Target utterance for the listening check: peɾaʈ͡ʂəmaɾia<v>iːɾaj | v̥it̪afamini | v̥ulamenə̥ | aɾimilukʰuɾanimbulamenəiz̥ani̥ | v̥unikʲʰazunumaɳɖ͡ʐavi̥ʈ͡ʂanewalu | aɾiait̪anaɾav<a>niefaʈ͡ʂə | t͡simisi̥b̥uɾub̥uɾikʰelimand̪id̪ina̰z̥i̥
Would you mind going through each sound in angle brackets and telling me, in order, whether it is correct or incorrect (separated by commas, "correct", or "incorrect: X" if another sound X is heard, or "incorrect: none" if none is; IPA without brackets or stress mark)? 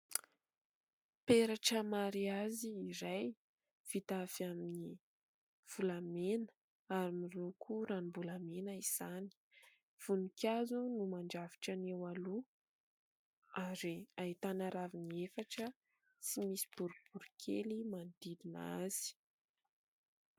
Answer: incorrect: z, incorrect: i